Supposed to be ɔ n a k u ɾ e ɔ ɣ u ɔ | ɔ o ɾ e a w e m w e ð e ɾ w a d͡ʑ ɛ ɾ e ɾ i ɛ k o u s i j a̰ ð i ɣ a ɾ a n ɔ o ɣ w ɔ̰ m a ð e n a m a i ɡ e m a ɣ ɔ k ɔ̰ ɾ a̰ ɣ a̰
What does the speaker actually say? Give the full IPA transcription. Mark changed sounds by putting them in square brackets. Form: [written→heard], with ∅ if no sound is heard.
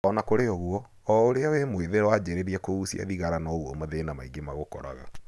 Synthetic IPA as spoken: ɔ n a k [u→o] ɾ e ɔ ɣ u ɔ | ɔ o ɾ e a w e m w e ð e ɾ w a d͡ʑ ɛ ɾ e ɾ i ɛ k o u s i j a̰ ð i ɣ a ɾ a n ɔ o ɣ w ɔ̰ m a ð e n a m a i ɡ e m a ɣ [ɔ→o] k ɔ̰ ɾ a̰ ɣ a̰